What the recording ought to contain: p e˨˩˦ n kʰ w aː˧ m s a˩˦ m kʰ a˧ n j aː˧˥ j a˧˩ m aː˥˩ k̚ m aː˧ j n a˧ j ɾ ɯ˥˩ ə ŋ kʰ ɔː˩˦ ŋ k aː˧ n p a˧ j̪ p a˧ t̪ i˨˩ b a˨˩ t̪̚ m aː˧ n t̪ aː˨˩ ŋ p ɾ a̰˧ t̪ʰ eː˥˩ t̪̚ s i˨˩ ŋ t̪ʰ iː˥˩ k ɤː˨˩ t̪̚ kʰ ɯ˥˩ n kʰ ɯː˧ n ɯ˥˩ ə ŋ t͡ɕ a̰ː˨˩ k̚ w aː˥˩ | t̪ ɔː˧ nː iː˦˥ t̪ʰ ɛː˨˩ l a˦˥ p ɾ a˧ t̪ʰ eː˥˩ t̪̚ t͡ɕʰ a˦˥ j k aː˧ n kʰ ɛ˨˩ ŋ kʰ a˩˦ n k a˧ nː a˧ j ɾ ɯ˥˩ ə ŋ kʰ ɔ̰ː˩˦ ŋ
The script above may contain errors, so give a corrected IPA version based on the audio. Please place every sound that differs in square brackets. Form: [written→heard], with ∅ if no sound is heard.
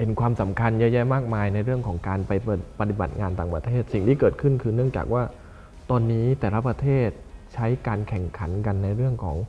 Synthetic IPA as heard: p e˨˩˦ n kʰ w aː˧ m s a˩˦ m kʰ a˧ n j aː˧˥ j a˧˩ m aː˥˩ k̚ m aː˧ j n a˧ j ɾ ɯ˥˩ ə ŋ kʰ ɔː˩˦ ŋ k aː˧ n p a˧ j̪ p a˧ t̪ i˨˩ b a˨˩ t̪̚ [m→ŋ] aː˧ n t̪ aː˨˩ ŋ p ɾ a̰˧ t̪ʰ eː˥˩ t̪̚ s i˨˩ ŋ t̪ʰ iː˥˩ k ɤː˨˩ t̪̚ kʰ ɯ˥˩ n kʰ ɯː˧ n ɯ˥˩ ə ŋ t͡ɕ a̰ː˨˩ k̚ w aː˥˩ | t̪ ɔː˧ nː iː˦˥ [t̪ʰ→t̪] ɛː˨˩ l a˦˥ p ɾ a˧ t̪ʰ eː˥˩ t̪̚ t͡ɕʰ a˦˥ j k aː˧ n kʰ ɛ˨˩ ŋ kʰ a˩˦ n k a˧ nː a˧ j ɾ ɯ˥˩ ə ŋ kʰ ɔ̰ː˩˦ ŋ